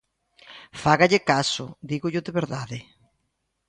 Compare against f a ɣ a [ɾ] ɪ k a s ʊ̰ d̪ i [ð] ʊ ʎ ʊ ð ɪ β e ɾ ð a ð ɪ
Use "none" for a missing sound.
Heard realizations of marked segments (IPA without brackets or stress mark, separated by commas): ʎ, ɣ